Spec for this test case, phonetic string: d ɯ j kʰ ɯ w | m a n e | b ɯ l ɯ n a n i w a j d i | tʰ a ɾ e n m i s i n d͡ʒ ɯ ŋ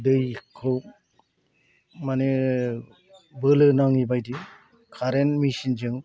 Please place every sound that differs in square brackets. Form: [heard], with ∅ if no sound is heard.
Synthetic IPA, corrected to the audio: d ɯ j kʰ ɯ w | m a n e | b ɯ l ɯ n a [ŋ] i [b] a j d i | [kʰ] a ɾ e n m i s i n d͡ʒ ɯ ŋ